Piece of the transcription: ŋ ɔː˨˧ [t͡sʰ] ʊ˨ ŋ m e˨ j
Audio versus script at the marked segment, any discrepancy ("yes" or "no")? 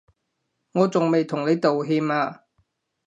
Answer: yes